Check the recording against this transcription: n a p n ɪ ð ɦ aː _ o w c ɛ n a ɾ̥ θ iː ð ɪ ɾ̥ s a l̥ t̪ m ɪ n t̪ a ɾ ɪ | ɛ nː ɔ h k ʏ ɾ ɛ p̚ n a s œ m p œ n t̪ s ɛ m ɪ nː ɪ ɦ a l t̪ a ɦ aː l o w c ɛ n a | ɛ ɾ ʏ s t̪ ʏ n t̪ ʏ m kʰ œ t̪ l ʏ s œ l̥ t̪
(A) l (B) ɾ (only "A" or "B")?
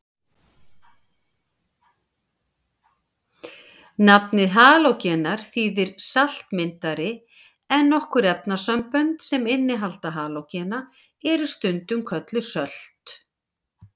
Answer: A